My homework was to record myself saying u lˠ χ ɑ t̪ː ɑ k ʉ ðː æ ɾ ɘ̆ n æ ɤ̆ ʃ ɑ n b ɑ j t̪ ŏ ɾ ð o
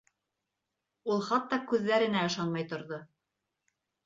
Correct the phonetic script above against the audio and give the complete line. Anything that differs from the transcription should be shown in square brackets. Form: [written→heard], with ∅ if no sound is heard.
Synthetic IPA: u lˠ χ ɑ t̪ː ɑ k ʉ ðː æ ɾ ɘ̆ n æ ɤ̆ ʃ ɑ n [b→m] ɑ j t̪ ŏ ɾ ð o